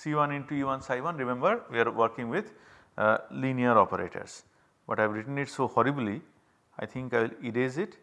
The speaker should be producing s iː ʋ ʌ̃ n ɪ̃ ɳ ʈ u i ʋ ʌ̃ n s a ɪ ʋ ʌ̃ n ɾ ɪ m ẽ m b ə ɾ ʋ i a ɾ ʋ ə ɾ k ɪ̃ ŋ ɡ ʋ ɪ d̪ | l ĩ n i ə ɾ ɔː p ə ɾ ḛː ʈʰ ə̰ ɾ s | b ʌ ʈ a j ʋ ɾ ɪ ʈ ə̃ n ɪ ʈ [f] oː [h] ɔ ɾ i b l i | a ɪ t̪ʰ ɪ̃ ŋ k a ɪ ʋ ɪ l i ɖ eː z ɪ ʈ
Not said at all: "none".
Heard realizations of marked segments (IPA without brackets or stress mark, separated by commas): s, h